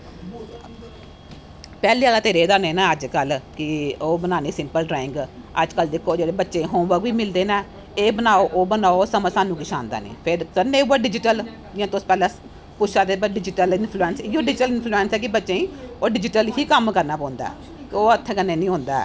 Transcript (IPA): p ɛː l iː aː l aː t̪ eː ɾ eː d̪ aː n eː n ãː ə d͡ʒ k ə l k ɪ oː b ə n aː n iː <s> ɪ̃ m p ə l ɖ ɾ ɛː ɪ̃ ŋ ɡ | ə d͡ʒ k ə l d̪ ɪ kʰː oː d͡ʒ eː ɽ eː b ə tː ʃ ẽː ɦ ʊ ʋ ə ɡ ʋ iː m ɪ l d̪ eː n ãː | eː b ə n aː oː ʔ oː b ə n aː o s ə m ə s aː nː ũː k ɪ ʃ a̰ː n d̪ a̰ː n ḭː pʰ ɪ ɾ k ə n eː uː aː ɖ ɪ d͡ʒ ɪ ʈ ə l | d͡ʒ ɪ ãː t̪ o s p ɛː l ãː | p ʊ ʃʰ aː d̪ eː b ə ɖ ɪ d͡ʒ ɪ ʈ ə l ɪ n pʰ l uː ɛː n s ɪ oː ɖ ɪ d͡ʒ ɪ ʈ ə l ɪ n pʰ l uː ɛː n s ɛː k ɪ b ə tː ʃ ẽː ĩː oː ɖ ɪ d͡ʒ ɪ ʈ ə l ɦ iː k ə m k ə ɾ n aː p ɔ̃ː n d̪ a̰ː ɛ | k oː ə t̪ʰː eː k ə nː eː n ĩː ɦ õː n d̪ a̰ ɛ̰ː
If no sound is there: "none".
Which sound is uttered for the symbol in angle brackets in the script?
s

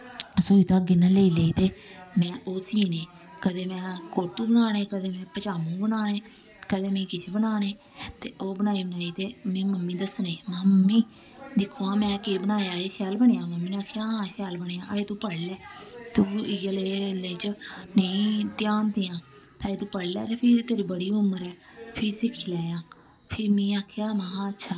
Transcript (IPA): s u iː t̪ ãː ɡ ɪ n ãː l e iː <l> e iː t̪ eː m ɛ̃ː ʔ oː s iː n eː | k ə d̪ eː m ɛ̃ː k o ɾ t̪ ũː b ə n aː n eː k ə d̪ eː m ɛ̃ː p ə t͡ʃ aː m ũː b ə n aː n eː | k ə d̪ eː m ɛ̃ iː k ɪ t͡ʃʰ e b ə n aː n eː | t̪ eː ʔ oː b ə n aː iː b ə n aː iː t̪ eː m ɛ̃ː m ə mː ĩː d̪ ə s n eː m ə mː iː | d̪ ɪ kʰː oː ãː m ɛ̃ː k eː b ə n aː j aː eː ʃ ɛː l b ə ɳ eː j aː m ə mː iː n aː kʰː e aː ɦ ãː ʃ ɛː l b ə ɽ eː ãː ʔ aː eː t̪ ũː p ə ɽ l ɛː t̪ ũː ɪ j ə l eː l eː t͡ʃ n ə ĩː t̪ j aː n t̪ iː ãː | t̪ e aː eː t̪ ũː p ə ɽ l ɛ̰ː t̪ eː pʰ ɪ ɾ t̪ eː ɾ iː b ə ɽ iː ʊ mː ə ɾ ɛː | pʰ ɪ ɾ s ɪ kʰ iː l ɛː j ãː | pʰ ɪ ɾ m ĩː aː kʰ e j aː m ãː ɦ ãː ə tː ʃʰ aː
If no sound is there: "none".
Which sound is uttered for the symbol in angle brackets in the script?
l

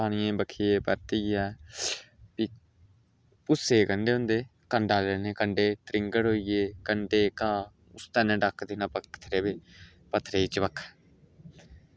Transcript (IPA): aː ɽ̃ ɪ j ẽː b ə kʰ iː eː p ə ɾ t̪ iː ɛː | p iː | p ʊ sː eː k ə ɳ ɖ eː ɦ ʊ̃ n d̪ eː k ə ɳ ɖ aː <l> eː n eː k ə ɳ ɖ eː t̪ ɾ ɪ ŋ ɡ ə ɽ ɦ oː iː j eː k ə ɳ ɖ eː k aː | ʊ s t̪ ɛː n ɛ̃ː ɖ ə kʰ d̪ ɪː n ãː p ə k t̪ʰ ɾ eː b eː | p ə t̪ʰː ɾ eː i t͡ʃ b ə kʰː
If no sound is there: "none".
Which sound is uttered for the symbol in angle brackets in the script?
l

